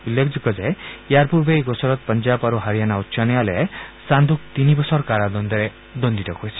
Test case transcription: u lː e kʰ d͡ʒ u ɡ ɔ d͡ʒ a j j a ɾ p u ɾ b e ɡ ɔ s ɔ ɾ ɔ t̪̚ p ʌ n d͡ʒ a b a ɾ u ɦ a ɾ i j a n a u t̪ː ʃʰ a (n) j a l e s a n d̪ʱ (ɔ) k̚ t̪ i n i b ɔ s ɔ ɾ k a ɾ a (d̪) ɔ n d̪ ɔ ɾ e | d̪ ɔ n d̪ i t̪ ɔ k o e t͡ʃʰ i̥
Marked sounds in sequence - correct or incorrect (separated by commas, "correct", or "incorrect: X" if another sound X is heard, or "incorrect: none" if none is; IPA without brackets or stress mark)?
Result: correct, incorrect: u, correct